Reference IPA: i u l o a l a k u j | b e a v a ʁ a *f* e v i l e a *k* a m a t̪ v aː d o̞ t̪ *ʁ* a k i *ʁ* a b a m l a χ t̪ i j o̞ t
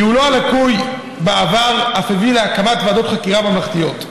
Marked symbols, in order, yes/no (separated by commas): yes, yes, no, yes